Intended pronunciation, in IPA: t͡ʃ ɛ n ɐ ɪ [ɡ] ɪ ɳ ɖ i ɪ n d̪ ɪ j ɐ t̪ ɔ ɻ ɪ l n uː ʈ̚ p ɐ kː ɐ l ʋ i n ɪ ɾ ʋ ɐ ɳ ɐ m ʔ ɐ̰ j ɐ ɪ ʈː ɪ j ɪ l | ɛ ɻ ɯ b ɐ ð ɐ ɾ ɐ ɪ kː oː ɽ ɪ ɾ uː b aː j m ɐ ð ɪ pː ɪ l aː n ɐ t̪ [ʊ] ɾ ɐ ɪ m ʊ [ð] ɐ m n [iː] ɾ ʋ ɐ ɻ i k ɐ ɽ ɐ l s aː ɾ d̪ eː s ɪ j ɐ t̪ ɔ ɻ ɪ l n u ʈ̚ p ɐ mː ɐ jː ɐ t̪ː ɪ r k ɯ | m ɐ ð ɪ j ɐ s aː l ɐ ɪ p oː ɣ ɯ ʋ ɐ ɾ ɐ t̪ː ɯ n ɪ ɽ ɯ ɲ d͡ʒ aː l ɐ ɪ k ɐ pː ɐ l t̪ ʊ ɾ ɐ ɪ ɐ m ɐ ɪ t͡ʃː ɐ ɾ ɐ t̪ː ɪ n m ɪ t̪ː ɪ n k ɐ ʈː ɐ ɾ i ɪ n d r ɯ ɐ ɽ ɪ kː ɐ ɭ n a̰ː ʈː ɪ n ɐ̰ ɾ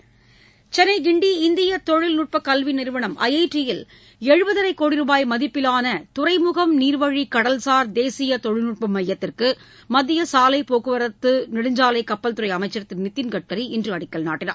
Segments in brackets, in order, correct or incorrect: correct, correct, incorrect: ɣ, correct

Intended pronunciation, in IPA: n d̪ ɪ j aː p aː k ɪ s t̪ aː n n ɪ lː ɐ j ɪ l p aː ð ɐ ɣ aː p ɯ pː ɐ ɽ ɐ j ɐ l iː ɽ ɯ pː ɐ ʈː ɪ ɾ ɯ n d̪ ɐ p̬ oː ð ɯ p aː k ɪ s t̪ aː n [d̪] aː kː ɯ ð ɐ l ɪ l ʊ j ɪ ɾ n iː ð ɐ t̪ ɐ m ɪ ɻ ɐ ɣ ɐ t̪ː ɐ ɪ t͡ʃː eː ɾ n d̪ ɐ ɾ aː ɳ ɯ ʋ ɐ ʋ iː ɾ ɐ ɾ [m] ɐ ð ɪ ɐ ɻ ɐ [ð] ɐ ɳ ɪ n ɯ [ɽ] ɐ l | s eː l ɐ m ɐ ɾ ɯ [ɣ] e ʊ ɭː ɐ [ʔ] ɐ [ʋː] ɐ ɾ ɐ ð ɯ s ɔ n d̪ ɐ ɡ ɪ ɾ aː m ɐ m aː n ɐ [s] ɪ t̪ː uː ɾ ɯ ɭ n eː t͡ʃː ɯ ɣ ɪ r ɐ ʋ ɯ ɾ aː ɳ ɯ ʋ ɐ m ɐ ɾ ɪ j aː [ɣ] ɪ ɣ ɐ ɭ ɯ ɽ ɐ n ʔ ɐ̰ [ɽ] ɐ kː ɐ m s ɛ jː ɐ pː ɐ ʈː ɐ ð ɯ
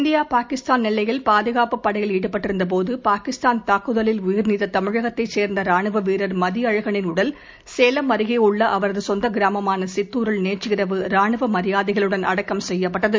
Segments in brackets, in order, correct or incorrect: incorrect: t̪, correct, incorrect: ɣ, correct, correct, correct, incorrect: ʋ, correct, incorrect: ð, correct

